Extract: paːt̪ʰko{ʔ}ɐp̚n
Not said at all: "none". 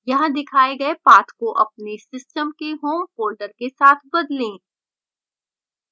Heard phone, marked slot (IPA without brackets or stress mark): ʔ